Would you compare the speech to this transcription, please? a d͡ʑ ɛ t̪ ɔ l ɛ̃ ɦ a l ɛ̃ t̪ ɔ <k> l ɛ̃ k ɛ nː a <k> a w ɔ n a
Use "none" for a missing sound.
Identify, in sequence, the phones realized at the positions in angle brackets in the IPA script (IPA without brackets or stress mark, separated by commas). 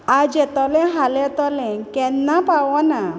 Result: none, p